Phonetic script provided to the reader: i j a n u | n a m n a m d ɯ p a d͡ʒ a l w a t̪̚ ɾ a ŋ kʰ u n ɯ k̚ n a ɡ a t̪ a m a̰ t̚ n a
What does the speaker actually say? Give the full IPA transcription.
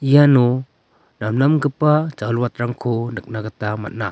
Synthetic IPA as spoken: i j a n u | n a m n a m ɡ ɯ p a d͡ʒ a l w a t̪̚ ɾ a ŋ kʰ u n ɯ k̚ n a ɡ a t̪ a m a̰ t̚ n a